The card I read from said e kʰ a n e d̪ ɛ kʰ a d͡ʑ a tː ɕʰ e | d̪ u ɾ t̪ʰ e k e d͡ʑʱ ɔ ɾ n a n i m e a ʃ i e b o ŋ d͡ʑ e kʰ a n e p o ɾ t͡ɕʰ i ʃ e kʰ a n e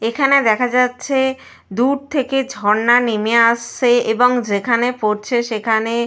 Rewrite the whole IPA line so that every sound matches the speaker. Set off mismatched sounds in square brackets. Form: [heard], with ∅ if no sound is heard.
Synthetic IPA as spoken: e kʰ a n e d̪ ɛ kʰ a d͡ʑ a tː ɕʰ e | d̪ u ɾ t̪ʰ e k e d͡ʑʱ ɔ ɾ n a n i m e a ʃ [e] e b o ŋ d͡ʑ e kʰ a n e p o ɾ t͡ɕʰ [e] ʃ e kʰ a n e